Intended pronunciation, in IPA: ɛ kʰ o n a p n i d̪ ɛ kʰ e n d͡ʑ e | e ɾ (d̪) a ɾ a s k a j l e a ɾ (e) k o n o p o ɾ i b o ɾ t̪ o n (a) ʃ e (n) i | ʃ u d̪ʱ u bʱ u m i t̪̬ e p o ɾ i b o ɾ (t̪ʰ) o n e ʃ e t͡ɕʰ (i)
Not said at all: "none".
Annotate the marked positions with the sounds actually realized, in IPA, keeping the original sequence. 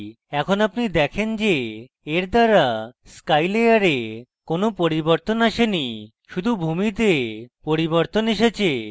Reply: d̪, e, a, n, t̪, e

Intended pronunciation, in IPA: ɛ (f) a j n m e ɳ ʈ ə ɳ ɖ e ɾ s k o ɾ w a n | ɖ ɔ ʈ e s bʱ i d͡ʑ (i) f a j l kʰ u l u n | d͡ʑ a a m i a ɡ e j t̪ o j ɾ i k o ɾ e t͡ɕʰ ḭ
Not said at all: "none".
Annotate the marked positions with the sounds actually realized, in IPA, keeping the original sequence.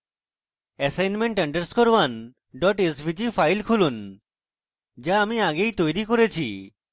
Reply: s, i

